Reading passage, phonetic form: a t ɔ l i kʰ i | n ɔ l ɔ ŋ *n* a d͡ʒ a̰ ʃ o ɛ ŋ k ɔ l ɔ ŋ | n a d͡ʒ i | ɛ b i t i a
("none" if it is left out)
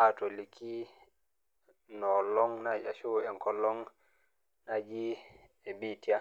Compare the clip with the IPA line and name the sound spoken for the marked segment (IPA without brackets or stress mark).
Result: n